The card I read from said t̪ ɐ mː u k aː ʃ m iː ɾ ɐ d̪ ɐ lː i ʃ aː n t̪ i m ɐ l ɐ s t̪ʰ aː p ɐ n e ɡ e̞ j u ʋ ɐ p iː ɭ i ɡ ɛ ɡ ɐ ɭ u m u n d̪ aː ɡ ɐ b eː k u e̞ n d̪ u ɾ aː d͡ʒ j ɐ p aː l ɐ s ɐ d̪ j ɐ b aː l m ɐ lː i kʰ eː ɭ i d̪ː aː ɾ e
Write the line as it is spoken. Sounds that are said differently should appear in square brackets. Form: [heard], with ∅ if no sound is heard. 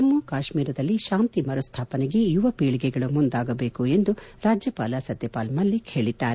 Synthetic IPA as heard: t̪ ɐ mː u k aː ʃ m iː ɾ ɐ d̪ ɐ lː i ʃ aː n t̪ i m ɐ [ɾ] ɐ s t̪ʰ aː p ɐ n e ɡ e̞ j u ʋ ɐ p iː ɭ i ɡ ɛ ɡ ɐ ɭ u m u n d̪ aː ɡ ɐ b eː k u e̞ n d̪ u ɾ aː d͡ʒ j ɐ p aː l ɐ s ɐ d̪ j ɐ [p] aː l m ɐ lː i kʰ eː ɭ i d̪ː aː ɾ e